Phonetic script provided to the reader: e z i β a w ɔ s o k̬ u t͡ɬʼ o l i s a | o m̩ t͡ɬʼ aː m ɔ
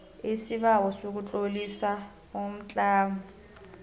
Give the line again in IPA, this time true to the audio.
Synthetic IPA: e s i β a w ɔ s o k̬ u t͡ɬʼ o l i s a | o m̩ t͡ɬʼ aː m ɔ